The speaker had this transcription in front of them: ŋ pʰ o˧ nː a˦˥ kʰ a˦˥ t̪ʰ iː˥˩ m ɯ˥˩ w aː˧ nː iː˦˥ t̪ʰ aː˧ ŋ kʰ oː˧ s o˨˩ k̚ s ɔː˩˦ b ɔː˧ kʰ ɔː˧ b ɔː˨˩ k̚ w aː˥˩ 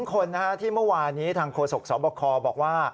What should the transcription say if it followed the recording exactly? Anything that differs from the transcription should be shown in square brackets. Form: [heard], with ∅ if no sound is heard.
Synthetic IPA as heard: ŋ [kʰ] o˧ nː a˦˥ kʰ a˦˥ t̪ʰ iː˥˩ m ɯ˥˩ w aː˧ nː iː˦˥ t̪ʰ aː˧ ŋ kʰ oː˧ s o˨˩ k̚ s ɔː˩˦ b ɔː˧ kʰ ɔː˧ b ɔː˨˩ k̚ w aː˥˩